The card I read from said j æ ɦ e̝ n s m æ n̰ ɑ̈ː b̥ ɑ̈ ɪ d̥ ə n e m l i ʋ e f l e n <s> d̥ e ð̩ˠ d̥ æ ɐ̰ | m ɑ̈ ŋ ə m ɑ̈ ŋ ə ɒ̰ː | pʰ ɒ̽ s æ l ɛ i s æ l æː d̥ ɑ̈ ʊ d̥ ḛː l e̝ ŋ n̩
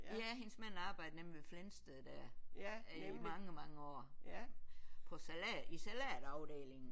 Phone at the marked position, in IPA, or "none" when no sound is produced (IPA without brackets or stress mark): s